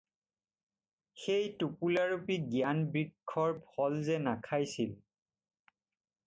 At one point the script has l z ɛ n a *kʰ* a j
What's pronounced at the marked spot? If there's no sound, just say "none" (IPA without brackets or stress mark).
kʰ